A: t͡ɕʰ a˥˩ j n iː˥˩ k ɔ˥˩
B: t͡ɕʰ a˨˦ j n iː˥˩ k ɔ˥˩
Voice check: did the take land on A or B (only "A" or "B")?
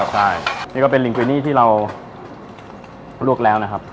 A